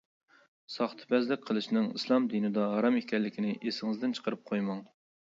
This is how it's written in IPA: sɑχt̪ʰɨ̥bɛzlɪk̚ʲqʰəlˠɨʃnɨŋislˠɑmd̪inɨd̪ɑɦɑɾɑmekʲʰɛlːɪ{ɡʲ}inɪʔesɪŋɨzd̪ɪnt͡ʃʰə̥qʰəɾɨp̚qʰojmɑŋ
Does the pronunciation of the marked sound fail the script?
yes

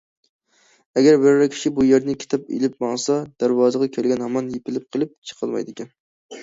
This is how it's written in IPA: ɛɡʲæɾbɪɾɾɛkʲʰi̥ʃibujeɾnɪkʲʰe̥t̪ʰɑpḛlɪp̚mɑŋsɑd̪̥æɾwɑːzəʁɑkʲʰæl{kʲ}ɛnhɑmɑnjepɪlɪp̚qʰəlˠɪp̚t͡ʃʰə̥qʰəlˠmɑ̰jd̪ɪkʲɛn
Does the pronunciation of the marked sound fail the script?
yes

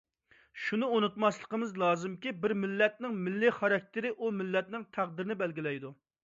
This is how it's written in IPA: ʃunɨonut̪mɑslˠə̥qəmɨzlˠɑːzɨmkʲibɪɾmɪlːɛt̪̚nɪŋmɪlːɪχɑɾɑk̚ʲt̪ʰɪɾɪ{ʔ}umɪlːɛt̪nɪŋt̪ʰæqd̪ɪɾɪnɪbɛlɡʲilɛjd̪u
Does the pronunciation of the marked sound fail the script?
no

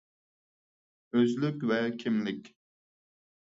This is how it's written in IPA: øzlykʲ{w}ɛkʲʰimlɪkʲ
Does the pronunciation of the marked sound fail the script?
yes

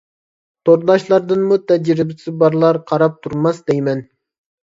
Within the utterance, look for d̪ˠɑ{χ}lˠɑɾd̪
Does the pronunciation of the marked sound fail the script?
yes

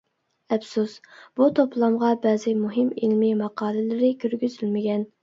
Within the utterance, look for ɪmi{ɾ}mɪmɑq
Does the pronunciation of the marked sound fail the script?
yes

